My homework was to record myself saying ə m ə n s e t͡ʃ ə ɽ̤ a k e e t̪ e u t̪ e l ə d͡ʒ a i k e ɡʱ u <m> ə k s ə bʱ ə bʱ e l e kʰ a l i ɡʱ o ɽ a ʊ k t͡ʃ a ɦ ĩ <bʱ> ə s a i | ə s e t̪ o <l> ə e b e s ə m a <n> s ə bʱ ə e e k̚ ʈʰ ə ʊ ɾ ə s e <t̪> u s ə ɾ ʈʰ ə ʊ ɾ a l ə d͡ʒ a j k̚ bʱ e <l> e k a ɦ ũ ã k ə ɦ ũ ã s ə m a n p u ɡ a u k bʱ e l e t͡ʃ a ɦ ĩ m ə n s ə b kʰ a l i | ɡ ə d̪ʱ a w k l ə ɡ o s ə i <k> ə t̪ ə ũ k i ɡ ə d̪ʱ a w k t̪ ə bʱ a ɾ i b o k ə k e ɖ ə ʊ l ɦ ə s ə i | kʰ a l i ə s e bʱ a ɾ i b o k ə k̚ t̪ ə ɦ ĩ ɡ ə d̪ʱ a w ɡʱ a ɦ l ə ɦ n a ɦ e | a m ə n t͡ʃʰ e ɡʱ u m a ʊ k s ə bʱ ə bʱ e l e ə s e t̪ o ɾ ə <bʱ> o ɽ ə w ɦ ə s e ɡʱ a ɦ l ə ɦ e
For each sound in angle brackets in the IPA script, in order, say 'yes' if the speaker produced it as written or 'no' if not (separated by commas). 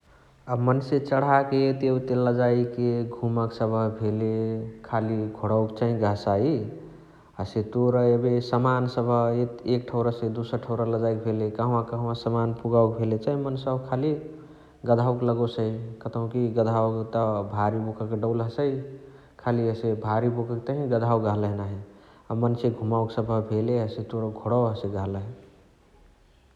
yes, no, no, yes, no, yes, yes, no